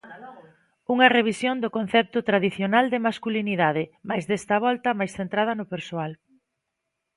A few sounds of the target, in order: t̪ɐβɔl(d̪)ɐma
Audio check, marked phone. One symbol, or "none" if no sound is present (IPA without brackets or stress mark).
t̪